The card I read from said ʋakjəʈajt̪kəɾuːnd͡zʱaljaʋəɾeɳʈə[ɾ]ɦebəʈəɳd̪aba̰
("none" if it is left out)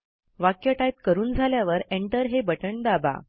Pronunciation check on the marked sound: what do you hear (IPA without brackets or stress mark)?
ɾ